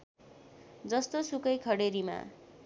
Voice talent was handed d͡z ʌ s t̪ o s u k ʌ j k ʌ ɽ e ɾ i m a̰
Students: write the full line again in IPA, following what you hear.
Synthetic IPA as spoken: d͡z ʌ s t̪ o s u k ʌ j kʰ ʌ ɽ e ɾ i m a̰